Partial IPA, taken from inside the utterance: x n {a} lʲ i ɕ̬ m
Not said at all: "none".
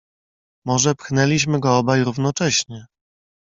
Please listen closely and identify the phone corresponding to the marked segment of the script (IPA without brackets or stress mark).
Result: ɛ